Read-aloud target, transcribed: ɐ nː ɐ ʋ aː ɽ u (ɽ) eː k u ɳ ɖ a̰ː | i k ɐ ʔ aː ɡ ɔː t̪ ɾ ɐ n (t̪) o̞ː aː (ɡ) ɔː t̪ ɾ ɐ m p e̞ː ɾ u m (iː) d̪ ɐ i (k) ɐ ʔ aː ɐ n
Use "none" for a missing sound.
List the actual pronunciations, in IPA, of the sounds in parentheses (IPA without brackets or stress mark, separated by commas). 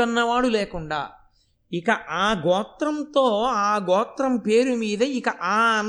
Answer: l, t̪, ɡ, iː, k